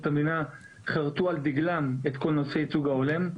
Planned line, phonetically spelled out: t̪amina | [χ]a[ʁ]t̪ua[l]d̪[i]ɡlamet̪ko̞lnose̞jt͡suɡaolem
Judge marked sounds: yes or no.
yes, yes, yes, yes

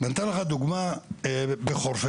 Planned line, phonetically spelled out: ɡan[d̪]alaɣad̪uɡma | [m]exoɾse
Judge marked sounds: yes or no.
no, no

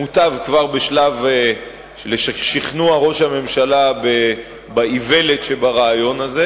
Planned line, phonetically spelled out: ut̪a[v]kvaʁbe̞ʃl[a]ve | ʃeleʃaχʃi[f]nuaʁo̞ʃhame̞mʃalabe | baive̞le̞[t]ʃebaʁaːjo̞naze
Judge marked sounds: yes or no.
yes, yes, no, yes

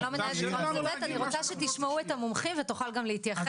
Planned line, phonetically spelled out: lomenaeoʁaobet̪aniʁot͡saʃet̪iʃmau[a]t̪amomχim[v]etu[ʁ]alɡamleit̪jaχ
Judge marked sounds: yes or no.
no, yes, no

